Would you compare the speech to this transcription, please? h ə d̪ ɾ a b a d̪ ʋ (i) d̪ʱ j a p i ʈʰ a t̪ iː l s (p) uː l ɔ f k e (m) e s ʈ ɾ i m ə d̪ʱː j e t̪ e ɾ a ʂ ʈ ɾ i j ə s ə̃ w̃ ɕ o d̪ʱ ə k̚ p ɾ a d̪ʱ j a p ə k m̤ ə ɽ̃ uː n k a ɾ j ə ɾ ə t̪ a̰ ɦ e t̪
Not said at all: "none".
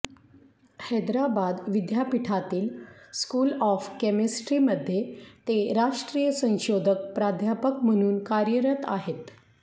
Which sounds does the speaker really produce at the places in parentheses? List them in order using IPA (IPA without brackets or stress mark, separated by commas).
i, k, m